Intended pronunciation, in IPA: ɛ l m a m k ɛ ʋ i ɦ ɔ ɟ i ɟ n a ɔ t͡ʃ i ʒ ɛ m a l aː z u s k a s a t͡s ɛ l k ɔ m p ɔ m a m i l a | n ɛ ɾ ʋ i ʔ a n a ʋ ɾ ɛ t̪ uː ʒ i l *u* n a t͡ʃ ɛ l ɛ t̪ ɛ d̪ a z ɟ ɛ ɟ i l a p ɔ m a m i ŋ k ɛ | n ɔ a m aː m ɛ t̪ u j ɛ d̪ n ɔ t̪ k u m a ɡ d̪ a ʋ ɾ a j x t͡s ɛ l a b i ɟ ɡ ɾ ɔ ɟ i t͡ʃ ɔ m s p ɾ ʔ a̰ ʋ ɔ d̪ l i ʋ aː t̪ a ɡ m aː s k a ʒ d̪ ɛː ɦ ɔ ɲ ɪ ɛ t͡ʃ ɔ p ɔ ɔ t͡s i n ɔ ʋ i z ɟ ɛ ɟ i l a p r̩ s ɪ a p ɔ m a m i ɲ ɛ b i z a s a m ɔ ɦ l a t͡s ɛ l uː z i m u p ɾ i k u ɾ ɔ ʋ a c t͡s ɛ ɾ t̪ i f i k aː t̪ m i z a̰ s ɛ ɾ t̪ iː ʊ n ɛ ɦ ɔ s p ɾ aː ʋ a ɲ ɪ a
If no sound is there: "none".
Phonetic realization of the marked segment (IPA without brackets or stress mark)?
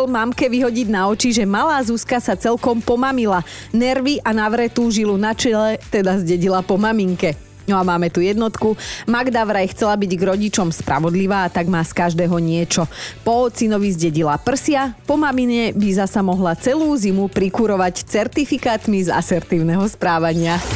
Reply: u